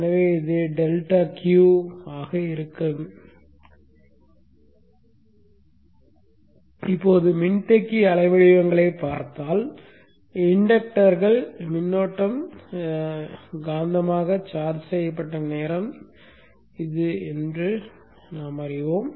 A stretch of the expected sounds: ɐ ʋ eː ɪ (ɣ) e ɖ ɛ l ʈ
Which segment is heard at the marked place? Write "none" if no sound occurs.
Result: ð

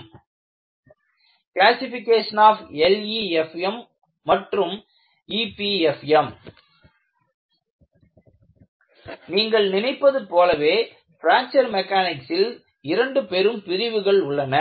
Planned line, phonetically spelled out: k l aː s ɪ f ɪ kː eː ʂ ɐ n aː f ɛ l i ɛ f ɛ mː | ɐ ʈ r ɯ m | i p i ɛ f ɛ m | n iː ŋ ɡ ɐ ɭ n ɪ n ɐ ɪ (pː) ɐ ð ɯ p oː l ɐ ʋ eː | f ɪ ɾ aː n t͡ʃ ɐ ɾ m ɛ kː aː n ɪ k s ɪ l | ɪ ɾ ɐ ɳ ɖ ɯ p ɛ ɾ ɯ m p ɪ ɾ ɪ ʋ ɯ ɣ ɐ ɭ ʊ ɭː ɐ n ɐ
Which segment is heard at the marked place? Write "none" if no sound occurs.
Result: pː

